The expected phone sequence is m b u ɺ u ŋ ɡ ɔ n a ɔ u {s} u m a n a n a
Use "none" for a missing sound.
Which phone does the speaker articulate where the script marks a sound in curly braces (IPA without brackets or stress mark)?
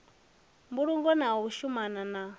ʃ